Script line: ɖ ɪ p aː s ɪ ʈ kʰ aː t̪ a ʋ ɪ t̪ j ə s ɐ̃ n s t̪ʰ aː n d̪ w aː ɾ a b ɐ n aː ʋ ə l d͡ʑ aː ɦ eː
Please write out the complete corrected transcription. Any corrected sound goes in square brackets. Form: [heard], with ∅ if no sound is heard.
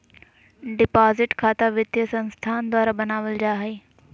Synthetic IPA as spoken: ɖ ɪ p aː [z] ɪ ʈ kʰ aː t̪ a ʋ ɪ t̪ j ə s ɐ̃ n s t̪ʰ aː n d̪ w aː ɾ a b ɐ n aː ʋ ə l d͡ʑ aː ɦ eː